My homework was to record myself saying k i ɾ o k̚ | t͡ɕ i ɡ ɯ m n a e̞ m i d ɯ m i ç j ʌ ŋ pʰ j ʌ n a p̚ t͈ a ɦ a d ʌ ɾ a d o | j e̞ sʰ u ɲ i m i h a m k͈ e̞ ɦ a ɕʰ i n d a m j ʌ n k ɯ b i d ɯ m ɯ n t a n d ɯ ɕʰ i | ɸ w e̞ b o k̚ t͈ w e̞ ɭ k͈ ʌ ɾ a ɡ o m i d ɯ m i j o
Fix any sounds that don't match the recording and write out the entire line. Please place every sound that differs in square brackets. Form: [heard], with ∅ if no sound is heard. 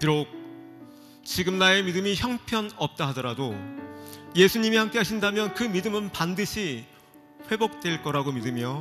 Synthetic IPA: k i ɾ o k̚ | t͡ɕ i ɡ ɯ m n a e̞ m i d ɯ m i ç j ʌ ŋ pʰ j ʌ n [ʌ] p̚ t͈ a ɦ a d ʌ ɾ a d o | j e̞ sʰ u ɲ i m i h a m k͈ e̞ ɦ a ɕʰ i n d a m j ʌ n k ɯ [m] i d ɯ m ɯ n [p] a n d ɯ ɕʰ i | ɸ w e̞ b o k̚ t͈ w e̞ ɭ k͈ ʌ ɾ a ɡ o m i d ɯ m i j o